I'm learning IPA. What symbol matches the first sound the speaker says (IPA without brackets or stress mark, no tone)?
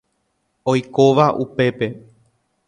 o